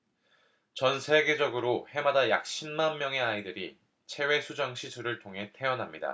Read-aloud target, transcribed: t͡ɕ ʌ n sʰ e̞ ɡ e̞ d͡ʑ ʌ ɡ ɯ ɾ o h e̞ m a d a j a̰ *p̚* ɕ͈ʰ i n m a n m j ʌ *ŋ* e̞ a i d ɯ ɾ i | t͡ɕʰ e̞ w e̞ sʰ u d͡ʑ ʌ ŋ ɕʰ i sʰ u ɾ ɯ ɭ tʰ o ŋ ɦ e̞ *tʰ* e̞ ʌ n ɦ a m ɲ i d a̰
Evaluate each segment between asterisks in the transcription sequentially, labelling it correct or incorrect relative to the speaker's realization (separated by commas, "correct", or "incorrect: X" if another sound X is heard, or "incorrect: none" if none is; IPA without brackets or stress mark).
incorrect: k̚, correct, correct